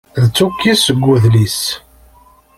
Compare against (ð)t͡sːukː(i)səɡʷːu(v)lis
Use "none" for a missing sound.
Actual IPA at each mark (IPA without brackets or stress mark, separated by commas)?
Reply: ð, i, ð